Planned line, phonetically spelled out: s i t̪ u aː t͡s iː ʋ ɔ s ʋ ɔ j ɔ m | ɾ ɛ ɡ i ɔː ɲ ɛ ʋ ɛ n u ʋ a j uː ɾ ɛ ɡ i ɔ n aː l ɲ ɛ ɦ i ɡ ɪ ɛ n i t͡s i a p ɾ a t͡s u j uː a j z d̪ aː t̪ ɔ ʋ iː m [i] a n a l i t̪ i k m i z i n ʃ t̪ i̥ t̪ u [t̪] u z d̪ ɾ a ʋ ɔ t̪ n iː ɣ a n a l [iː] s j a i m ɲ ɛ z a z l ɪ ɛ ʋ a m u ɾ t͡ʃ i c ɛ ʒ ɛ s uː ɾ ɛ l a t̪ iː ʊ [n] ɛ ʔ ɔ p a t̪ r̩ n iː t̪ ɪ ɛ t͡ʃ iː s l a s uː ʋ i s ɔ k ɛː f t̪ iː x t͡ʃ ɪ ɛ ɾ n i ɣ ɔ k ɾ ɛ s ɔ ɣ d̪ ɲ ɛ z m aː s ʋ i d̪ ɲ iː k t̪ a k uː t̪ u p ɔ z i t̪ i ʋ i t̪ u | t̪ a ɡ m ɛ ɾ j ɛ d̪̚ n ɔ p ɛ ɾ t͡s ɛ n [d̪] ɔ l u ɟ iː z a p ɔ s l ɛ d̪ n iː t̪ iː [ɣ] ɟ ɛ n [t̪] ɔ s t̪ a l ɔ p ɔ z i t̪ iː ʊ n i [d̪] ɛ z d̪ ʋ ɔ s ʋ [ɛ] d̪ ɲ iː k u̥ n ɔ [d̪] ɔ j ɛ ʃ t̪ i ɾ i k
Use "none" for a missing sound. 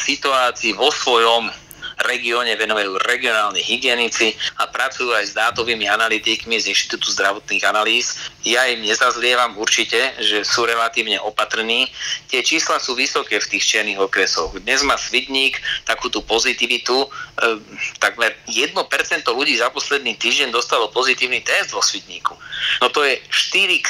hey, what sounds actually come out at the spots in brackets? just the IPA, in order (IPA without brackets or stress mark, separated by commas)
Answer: i, t̪, iː, ɲ, t̪, ʒ, d̪, t̪, i, t̪